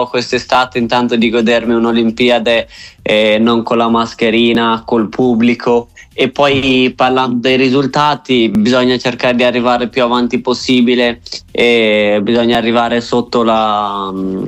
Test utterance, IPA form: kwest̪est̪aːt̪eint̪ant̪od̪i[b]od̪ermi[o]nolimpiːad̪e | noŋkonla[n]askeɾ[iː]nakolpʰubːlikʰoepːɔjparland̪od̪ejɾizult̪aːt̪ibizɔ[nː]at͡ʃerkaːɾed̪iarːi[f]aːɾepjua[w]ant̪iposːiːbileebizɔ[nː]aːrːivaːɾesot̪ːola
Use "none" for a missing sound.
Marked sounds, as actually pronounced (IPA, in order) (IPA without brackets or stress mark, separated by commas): ɡ, u, m, iː, ɲː, v, v, ɲː